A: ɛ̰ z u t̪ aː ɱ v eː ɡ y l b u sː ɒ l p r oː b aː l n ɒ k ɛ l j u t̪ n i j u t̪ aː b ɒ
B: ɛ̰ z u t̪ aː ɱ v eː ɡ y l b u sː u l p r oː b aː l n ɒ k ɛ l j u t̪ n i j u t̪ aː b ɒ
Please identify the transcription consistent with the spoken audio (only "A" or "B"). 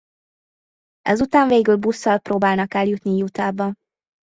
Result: A